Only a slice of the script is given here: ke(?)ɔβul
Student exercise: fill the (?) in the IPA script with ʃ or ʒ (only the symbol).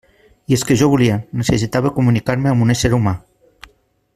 ʒ